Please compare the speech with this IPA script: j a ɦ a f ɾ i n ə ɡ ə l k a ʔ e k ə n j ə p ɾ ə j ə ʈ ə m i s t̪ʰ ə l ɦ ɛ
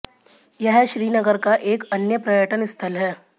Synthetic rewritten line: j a ɦ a ɕ ɾ iː n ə ɡ ə ɾ k a ʔ e k ə n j ə p ɾ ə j ə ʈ ə n i s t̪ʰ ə l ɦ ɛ